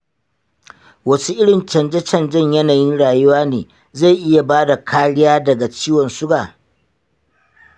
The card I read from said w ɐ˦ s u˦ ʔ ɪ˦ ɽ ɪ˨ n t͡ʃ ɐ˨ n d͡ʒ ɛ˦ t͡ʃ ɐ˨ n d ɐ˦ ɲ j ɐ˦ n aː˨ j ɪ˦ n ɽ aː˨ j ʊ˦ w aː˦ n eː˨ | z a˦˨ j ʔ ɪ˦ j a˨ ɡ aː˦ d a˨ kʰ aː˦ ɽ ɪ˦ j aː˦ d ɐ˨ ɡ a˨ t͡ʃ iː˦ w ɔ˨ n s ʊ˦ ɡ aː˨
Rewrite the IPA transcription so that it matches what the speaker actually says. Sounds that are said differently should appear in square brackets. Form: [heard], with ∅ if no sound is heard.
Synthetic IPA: w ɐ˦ s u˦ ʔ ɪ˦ ɽ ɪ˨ n t͡ʃ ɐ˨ n d͡ʒ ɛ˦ t͡ʃ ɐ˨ n [d͡ʒ] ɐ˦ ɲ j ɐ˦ n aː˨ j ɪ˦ n ɽ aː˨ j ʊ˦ w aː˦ n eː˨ | z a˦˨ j ʔ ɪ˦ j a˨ [b] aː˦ d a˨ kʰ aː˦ ɽ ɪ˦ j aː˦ d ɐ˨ ɡ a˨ t͡ʃ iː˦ w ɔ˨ n s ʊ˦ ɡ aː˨